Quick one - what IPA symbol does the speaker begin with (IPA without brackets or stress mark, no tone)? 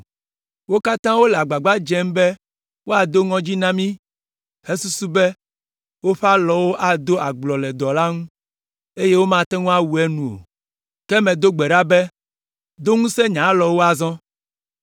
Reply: w